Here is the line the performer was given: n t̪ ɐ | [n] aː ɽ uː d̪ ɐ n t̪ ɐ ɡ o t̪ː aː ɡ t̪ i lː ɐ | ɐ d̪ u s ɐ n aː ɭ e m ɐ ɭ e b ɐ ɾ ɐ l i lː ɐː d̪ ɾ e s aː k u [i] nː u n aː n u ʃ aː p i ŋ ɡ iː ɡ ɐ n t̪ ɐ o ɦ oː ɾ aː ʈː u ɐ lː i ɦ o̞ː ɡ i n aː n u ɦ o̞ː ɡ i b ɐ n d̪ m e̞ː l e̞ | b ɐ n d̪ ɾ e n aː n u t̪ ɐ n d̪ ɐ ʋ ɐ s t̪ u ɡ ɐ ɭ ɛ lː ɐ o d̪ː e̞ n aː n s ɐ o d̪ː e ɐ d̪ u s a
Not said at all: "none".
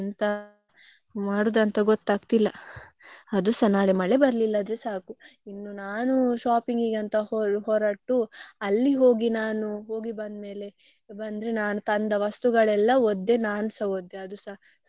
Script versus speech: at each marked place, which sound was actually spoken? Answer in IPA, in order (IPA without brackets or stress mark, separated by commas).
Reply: m, i